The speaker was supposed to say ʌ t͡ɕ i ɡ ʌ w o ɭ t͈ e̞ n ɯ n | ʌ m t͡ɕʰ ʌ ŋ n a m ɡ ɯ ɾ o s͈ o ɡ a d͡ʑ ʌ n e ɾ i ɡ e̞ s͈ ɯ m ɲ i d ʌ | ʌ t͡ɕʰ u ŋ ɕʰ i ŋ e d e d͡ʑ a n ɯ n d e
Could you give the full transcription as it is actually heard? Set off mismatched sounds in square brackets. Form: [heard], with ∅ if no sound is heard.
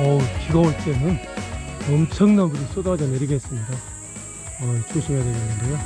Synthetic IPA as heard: ʌ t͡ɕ i ɡ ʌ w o ɭ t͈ e̞ n ɯ n | ʌ m t͡ɕʰ ʌ ŋ n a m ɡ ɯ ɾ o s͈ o [d] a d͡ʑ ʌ n e ɾ i ɡ e̞ s͈ ɯ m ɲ i d [a] | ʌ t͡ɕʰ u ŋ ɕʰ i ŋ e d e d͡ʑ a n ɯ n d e